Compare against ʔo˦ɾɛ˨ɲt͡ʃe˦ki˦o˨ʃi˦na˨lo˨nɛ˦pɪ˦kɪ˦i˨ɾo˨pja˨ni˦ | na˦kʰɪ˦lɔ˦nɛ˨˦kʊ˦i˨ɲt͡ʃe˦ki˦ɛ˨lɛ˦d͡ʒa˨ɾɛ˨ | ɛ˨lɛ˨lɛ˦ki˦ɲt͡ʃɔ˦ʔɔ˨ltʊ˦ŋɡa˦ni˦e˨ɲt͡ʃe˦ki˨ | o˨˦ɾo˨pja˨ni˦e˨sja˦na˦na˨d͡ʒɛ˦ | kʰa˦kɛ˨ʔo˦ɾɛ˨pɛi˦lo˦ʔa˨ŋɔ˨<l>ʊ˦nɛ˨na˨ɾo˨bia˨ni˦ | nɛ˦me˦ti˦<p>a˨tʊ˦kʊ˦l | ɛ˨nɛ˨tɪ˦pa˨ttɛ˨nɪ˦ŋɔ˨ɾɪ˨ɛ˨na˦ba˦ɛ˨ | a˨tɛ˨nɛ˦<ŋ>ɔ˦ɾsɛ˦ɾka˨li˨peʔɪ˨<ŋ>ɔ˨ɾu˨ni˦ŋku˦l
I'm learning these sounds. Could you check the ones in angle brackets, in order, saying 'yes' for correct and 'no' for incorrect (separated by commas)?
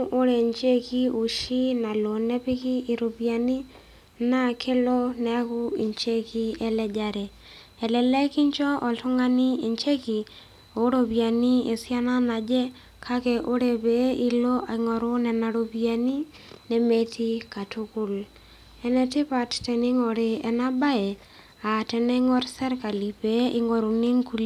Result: no, no, yes, yes